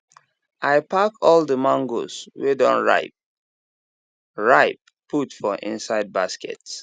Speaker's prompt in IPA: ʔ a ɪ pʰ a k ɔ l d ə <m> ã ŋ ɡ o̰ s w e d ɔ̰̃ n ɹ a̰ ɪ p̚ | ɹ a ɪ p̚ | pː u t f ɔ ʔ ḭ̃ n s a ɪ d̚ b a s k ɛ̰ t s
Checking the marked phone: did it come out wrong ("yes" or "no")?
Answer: no